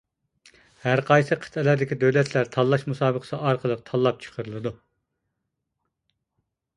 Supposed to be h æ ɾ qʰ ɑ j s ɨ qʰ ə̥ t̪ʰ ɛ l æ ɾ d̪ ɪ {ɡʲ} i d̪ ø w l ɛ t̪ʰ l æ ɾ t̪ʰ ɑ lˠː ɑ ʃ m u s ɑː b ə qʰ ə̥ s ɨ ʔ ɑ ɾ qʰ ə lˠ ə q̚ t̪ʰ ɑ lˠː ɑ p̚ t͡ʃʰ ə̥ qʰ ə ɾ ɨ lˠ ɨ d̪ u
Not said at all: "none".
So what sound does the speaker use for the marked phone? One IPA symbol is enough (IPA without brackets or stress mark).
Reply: kʲ